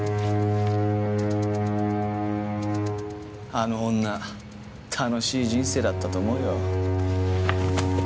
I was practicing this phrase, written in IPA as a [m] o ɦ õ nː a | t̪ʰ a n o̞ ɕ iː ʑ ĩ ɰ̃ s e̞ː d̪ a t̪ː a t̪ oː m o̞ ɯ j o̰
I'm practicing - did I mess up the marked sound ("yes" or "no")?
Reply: yes